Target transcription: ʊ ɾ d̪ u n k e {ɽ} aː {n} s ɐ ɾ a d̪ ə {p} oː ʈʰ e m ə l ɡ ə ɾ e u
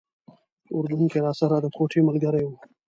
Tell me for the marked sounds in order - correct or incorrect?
incorrect: ɾ, incorrect: none, incorrect: k

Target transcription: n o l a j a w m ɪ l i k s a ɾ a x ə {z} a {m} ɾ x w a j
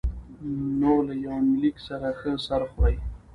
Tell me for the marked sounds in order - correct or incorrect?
incorrect: s, incorrect: none

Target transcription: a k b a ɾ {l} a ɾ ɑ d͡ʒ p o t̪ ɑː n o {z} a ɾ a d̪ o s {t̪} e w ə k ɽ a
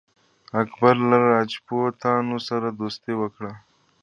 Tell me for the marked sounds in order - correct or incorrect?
correct, incorrect: s, correct

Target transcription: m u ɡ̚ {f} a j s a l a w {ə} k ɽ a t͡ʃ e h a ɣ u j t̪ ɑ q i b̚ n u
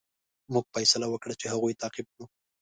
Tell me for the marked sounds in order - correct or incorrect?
correct, correct

